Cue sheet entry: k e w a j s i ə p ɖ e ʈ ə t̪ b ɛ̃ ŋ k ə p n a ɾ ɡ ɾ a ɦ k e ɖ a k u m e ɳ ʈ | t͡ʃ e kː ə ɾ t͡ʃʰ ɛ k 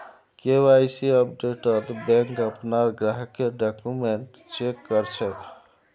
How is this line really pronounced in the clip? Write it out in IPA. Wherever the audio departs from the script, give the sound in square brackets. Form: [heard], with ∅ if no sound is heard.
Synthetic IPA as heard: k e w a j s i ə p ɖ e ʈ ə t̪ b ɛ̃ ŋ k ə p n a ɾ ɡ ɾ a ɦ k e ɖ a k u m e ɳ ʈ | t͡ʃ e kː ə ɾ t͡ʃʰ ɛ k